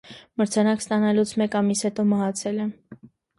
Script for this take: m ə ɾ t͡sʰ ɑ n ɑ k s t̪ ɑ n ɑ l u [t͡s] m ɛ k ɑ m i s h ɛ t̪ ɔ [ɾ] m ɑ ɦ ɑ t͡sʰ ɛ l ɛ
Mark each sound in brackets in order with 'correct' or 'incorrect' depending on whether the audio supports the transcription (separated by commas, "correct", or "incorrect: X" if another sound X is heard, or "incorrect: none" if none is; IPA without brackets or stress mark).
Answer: incorrect: t͡sʰ, incorrect: none